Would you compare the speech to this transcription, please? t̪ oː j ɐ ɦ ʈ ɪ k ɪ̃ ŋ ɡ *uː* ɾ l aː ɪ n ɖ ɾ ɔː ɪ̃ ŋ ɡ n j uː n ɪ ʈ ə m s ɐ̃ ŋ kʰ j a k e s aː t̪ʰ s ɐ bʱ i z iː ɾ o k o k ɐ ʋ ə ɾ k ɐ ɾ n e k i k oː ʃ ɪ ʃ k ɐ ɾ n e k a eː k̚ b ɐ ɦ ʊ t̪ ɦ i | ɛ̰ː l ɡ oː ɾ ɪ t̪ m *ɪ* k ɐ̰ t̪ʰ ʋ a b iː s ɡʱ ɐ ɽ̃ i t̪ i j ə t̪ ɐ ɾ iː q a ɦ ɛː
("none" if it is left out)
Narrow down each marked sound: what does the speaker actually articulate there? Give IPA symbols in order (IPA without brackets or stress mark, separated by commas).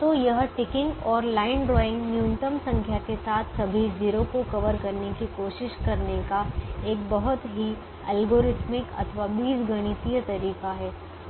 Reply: ɔː, ɪ